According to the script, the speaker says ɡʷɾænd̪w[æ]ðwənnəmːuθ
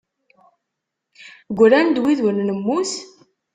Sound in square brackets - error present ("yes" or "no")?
yes